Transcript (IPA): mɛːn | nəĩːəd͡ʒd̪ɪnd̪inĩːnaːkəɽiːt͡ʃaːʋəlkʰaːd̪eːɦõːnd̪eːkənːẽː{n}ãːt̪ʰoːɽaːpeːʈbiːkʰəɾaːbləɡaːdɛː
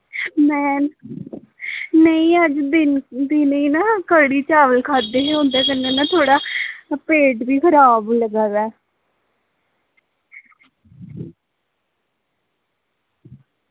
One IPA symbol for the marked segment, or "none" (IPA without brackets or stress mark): n